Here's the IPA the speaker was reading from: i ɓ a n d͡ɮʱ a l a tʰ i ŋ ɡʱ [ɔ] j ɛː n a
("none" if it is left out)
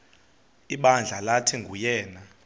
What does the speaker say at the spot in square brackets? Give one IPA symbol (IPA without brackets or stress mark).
u